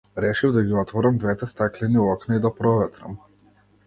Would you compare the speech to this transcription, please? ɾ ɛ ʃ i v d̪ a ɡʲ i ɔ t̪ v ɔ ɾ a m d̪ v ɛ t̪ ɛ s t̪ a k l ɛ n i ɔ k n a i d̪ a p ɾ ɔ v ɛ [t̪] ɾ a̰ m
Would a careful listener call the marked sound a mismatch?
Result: no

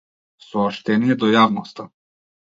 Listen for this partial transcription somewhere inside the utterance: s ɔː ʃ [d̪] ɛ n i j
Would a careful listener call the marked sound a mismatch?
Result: yes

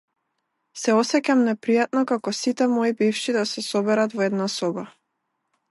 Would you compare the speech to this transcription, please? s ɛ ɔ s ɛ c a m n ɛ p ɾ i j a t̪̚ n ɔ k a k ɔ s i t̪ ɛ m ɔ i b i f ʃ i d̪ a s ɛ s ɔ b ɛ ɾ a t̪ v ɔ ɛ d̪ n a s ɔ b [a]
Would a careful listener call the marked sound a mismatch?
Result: no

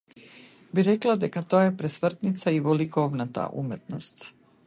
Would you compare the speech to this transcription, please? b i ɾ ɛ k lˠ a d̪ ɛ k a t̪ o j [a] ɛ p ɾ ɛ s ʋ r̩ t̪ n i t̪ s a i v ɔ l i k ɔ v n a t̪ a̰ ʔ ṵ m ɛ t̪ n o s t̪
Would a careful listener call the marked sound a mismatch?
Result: no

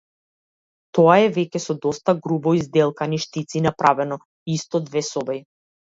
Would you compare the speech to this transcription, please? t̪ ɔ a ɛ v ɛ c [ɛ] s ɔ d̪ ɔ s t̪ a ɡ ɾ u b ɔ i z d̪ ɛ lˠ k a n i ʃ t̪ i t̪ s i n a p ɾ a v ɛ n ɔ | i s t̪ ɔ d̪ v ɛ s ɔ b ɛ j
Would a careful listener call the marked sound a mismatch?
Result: no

